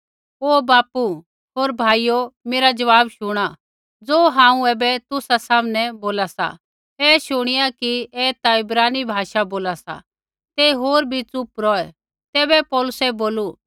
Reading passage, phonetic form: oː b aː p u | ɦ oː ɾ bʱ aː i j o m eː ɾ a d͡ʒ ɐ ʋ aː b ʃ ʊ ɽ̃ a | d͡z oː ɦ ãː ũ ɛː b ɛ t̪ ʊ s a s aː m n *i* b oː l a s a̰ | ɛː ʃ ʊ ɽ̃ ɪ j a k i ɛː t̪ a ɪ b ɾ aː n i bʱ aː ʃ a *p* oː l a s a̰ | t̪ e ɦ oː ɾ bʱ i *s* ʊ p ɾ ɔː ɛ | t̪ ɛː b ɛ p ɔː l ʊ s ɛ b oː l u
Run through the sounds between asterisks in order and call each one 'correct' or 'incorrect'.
incorrect, incorrect, incorrect

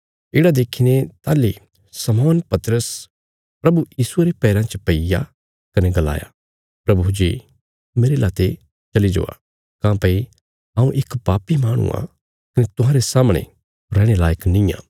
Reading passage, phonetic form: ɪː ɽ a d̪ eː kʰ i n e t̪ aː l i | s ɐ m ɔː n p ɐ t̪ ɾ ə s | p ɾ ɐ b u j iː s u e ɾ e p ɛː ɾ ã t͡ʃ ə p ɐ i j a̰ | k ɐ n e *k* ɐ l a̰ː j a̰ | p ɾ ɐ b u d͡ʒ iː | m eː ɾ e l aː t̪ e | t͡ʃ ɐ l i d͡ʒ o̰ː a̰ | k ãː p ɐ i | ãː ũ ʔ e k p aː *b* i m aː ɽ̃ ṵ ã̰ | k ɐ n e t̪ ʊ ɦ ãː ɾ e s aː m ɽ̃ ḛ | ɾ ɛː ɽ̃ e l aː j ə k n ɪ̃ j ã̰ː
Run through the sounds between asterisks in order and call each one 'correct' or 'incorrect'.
incorrect, incorrect

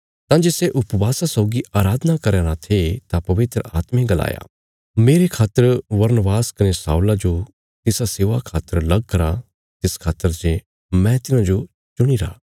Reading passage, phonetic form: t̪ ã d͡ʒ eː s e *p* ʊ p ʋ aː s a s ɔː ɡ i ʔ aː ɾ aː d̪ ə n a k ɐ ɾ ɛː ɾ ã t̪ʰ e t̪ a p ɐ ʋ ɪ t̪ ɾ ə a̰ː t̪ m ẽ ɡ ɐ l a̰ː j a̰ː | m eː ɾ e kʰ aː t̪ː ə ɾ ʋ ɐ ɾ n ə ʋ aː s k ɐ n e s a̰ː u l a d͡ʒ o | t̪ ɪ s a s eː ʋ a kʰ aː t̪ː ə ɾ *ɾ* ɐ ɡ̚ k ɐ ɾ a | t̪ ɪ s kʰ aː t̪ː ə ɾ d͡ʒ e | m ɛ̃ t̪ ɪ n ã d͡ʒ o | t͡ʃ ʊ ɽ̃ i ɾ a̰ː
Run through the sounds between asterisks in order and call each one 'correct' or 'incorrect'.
incorrect, incorrect

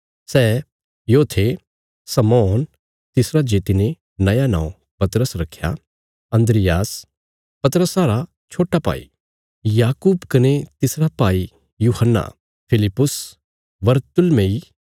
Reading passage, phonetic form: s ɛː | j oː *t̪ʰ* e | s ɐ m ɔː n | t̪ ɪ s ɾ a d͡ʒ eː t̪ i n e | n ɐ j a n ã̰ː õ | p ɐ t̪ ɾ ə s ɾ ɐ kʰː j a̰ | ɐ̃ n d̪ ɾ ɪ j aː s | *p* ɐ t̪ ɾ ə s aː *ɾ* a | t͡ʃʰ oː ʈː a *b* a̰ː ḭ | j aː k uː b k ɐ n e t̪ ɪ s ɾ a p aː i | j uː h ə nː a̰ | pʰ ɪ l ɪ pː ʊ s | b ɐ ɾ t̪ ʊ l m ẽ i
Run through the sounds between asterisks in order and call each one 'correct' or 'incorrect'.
correct, correct, correct, incorrect

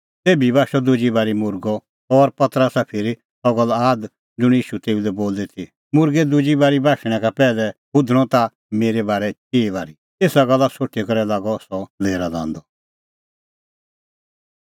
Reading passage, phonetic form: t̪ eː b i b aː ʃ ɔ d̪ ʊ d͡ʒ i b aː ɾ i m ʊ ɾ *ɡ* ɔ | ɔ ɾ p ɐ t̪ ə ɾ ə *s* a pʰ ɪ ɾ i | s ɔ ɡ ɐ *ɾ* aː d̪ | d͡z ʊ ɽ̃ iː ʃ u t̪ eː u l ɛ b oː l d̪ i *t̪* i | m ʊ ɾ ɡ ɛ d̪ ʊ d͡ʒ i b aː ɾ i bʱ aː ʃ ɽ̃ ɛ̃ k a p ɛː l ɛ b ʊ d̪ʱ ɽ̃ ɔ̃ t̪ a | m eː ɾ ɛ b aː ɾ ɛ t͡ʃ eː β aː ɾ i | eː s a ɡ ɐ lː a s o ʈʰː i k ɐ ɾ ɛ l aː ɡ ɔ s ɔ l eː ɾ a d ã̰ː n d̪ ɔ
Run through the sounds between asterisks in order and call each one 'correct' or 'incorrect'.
correct, correct, incorrect, incorrect

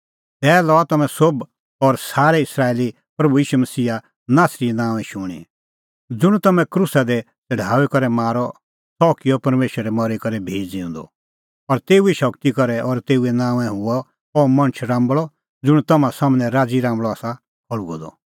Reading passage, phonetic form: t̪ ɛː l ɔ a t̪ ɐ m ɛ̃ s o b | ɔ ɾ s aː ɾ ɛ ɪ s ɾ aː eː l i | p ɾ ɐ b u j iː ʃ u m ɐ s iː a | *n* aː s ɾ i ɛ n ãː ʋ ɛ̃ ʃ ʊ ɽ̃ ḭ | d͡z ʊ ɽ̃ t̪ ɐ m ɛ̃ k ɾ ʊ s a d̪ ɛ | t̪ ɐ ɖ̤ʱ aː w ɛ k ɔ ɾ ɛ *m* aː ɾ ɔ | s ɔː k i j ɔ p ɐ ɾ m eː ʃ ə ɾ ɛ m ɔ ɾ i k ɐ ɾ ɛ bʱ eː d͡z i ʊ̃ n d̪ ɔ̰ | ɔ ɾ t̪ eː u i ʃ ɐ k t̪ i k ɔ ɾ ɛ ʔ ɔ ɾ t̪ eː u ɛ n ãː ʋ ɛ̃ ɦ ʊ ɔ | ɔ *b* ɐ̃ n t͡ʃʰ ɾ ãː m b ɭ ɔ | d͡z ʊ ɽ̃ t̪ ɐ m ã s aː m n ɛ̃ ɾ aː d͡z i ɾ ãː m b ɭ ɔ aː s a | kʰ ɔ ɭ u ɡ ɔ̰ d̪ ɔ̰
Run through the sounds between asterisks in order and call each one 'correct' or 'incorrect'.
correct, correct, incorrect

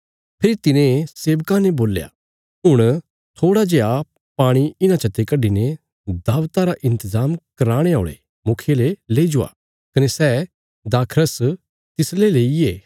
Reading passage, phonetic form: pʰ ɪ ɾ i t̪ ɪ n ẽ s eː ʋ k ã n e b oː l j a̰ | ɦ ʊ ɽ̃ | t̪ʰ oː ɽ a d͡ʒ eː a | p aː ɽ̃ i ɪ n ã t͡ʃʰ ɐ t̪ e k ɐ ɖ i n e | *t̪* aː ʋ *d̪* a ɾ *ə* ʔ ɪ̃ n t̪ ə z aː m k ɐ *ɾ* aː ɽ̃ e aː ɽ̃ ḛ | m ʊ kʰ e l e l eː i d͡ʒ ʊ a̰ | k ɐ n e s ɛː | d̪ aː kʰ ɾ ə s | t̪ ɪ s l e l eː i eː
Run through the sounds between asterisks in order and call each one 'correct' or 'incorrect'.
incorrect, incorrect, incorrect, correct

